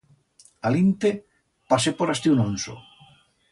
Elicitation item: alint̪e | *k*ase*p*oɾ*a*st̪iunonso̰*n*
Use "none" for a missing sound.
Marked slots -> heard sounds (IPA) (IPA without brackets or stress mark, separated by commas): p, p, a, none